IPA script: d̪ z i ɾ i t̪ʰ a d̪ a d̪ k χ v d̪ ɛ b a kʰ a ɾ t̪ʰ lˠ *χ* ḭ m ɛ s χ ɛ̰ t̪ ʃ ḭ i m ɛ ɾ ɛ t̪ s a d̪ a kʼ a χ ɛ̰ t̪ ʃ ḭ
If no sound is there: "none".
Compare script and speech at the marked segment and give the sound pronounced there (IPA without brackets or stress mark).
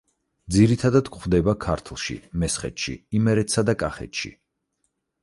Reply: ʃ